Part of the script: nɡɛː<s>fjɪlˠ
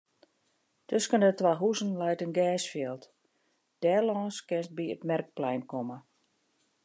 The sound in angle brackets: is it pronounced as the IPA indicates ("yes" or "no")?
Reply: yes